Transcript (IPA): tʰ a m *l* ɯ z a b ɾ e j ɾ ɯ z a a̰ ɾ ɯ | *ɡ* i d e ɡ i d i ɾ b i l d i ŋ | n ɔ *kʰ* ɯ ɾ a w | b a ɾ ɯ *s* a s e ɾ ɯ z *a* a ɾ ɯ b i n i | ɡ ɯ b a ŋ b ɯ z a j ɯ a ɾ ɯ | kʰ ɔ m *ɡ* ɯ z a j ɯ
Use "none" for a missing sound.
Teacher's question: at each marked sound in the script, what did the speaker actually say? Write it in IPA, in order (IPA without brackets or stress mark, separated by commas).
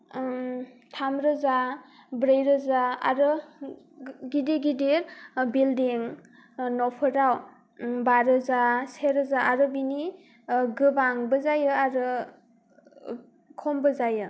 ɾ, ɡ, pʰ, z, a, b